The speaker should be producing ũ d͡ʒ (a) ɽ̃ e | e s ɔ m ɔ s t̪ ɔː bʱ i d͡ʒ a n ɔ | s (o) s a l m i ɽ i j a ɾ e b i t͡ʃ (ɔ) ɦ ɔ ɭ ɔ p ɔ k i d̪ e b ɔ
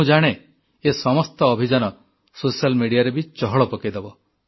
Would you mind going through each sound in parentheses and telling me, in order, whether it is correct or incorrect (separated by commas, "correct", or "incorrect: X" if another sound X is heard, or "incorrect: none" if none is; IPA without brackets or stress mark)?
correct, correct, correct